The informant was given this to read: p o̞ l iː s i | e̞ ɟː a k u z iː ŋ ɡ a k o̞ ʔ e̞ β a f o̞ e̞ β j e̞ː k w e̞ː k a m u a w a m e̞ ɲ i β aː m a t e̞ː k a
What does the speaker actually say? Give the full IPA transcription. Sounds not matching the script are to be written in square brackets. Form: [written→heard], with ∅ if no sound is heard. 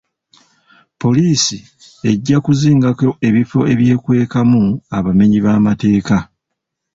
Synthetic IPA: p o̞ l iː s i | e̞ ɟː a k u z iː ŋ ɡ a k o̞ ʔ e̞ β [a→i] f o̞ e̞ β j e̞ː k w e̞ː k a m u a [w→β] a m e̞ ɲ i β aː m a t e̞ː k a